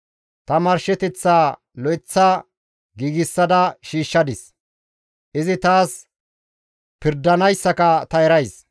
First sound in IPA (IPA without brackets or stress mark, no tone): t̪